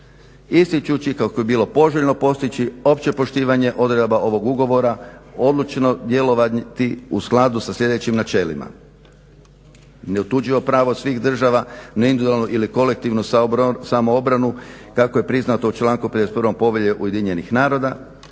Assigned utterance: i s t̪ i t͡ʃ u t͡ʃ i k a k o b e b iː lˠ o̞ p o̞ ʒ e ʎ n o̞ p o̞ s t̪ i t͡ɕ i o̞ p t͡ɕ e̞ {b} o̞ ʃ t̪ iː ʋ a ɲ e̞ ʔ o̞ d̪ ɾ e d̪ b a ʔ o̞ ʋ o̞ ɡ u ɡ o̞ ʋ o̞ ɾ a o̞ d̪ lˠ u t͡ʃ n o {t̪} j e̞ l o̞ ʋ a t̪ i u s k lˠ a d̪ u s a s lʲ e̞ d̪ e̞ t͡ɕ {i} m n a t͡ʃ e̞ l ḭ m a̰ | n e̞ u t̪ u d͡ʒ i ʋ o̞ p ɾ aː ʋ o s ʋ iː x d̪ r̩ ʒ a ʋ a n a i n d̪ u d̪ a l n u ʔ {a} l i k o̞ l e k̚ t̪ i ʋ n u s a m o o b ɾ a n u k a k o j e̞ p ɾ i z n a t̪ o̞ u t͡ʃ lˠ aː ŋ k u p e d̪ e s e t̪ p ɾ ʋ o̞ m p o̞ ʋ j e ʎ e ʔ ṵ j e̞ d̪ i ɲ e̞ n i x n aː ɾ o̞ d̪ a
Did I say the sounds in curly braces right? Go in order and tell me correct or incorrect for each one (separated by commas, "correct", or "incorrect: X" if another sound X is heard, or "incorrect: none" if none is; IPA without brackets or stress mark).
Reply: incorrect: p, incorrect: d̪, correct, incorrect: i